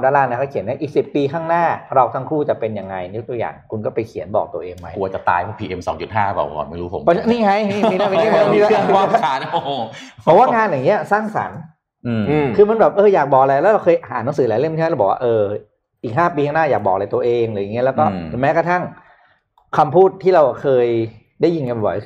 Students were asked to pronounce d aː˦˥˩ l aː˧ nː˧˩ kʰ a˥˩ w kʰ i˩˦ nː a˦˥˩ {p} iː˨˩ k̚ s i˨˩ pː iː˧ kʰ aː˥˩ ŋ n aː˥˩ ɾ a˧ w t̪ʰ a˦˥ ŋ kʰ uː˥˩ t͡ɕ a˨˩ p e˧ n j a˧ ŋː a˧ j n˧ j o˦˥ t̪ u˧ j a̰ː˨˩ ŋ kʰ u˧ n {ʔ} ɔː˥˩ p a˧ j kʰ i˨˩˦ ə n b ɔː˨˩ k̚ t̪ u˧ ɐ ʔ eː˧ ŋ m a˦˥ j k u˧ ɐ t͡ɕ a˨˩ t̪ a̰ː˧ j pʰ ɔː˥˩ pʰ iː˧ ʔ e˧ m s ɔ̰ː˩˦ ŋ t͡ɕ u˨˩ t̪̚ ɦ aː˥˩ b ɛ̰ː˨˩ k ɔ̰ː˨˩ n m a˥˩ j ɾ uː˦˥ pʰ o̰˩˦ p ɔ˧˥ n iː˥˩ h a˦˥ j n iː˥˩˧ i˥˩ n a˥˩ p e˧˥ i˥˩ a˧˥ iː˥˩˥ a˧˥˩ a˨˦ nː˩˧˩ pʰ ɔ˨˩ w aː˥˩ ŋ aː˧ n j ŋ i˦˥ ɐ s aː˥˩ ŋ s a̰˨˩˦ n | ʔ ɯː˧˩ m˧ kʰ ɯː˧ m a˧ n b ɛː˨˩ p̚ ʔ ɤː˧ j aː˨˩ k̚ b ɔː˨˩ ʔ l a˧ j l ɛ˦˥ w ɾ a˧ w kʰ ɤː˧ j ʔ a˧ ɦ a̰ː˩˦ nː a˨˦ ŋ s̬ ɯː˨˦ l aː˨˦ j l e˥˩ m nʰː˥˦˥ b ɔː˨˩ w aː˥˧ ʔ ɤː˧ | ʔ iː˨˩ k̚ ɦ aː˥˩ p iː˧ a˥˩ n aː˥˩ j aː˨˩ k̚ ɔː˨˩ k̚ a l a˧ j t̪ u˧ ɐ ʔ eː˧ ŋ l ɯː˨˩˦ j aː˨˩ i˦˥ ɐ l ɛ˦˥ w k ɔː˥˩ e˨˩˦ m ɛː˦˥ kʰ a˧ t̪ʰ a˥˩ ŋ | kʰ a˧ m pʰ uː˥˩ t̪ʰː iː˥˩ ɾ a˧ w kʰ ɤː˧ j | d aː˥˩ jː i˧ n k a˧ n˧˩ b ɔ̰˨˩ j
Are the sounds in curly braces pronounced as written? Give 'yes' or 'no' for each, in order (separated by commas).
no, no